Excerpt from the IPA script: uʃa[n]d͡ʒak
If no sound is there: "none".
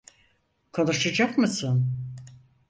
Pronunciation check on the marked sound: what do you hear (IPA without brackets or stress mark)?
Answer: none